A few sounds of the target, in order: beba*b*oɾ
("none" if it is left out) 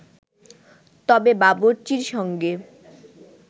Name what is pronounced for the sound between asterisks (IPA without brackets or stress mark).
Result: b